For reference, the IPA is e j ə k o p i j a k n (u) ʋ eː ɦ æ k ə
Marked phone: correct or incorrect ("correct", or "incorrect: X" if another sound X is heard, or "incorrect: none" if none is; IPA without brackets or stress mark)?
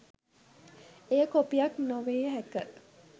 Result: incorrect: o